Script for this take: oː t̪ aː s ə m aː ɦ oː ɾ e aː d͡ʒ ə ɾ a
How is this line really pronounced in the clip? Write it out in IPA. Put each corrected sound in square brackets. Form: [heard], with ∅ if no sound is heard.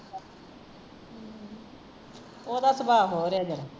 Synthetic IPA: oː [d̪] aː s ə [b] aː ɦ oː ɾ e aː d͡ʒ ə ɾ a